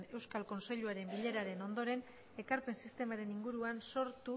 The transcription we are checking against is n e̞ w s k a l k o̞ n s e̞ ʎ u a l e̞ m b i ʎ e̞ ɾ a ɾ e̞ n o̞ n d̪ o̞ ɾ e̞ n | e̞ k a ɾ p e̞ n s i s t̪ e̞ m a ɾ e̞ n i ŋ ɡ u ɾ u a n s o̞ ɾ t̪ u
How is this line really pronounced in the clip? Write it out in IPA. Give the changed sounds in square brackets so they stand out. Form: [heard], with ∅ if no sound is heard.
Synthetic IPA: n e̞ w s k a l k o̞ n s e̞ ʎ u a [ɾ] e̞ m b i ʎ e̞ ɾ a ɾ e̞ n o̞ n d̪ o̞ ɾ e̞ n | e̞ k a ɾ p e̞ n s i s t̪ e̞ m a ɾ e̞ n i ŋ ɡ u ɾ u a n s o̞ ɾ t̪ u